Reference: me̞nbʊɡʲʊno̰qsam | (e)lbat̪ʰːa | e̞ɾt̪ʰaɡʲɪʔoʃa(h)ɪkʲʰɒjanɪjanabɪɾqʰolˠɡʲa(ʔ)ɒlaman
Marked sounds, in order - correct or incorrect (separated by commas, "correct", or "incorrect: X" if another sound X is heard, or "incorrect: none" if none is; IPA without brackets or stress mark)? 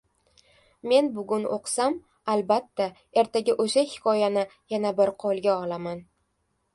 incorrect: a, correct, incorrect: none